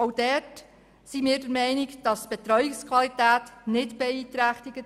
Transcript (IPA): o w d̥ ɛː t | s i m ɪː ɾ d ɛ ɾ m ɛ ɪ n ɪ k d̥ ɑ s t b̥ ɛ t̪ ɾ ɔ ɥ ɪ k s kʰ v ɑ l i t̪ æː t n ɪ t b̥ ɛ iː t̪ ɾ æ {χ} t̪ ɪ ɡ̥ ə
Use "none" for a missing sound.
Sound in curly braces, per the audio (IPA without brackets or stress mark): χ